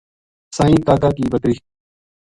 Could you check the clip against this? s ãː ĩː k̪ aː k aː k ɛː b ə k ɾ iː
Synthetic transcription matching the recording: s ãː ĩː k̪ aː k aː k iː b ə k ɾ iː